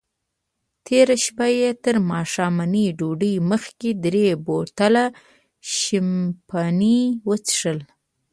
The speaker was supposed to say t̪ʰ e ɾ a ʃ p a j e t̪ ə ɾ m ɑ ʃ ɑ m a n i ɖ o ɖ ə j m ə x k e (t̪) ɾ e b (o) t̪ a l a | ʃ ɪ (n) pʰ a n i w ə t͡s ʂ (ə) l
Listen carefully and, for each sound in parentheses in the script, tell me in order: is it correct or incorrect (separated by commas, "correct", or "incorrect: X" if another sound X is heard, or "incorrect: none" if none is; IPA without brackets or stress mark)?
incorrect: d̪, correct, incorrect: m, correct